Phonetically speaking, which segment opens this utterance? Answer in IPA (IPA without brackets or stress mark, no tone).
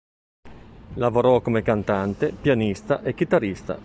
l